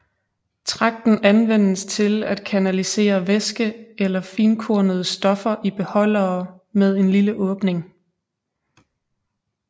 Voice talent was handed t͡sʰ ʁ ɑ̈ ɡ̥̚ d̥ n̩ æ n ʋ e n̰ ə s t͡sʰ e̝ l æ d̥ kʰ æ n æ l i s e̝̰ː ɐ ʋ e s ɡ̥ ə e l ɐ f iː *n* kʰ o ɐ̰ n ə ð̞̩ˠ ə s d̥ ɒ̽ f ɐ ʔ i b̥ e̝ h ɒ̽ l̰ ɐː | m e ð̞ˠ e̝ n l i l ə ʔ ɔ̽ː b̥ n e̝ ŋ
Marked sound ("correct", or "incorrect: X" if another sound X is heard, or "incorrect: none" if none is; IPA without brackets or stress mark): correct